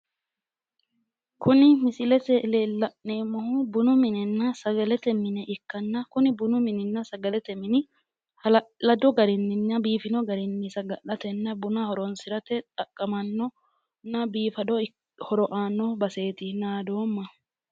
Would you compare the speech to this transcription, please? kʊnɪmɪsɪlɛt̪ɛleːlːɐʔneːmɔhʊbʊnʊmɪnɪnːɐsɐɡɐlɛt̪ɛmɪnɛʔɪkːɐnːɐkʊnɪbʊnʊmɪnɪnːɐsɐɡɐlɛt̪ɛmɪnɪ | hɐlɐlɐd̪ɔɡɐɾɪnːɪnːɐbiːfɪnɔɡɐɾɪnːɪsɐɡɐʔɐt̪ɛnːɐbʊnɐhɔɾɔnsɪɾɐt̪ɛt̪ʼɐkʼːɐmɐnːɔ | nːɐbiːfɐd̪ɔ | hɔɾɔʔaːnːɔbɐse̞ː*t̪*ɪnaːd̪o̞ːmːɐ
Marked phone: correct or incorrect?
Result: correct